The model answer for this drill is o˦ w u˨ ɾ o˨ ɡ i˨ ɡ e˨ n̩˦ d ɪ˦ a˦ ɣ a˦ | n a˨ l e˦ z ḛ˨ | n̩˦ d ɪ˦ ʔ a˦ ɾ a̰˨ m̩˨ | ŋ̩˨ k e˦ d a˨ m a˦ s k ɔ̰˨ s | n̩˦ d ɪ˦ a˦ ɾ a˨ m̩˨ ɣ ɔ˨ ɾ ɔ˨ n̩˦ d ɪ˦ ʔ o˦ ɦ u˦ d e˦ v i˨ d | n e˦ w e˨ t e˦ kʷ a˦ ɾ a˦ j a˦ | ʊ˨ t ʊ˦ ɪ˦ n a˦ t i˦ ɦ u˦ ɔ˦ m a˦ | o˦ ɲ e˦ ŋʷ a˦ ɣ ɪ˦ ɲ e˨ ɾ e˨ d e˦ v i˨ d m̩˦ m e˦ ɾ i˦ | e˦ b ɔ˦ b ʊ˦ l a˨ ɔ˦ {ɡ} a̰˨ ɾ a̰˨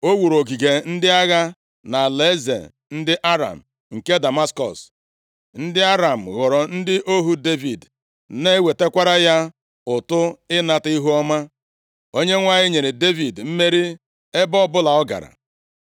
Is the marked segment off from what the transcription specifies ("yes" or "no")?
no